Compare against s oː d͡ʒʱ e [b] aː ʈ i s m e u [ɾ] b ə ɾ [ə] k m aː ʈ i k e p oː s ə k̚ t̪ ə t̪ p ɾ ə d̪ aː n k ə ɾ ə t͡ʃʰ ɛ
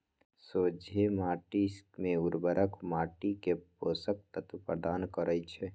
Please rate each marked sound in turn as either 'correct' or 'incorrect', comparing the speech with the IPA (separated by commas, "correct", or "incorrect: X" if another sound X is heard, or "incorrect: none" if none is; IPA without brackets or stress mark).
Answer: incorrect: m, correct, correct